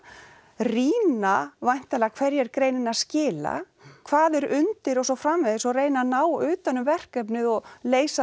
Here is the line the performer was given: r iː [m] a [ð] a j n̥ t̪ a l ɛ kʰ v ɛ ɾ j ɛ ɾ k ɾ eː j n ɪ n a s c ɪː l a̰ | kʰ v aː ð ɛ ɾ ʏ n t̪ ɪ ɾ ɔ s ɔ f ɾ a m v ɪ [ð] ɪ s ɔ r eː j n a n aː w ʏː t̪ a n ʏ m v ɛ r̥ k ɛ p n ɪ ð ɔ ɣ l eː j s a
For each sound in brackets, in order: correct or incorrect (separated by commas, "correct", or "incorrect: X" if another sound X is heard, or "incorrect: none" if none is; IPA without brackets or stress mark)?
incorrect: n, incorrect: v, correct